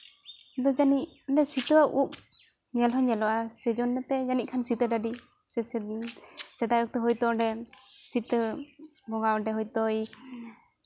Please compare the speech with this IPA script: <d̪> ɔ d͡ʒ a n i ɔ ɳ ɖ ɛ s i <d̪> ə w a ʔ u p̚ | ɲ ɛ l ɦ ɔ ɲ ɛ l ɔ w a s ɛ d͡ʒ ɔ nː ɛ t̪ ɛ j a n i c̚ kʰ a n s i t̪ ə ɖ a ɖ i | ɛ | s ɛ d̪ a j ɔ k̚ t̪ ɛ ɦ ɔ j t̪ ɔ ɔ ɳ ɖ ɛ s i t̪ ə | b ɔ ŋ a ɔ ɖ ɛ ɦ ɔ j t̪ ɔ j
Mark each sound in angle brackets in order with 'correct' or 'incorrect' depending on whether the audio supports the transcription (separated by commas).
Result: correct, incorrect